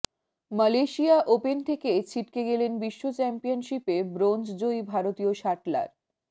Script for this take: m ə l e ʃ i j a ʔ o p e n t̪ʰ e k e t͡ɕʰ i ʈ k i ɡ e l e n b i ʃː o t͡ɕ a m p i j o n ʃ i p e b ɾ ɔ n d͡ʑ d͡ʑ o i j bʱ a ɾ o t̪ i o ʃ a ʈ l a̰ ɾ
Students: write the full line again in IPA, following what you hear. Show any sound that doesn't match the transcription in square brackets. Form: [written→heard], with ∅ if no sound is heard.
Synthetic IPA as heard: m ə l e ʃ i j a ʔ o p e n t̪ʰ e k e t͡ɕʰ i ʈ k [i→e] ɡ e l e n b i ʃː o t͡ɕ [a→ɛ] m p i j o n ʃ i p e b ɾ [ɔ→o] n d͡ʑ d͡ʑ o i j bʱ a ɾ o t̪ i o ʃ a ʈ l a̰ ɾ